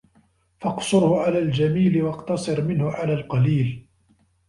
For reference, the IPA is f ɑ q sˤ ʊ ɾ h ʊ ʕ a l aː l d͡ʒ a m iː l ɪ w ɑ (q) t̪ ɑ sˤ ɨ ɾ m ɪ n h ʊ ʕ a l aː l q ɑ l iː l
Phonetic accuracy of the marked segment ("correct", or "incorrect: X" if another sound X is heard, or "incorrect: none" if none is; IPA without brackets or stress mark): correct